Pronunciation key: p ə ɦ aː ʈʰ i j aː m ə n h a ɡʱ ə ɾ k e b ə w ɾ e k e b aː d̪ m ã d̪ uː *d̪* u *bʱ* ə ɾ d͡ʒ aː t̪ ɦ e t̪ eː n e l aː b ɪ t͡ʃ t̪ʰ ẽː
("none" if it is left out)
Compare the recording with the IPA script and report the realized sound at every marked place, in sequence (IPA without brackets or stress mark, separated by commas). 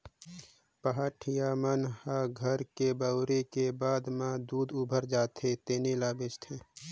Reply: d̪, bʱ